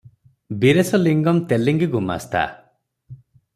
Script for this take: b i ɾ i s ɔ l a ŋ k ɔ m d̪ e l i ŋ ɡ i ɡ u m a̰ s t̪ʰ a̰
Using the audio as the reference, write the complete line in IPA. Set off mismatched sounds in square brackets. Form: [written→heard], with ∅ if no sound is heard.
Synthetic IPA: b i ɾ [i→e] s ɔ l [a→i] ŋ [k→ɡ] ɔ m [d̪→t̪] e l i ŋ ɡ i ɡ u m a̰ s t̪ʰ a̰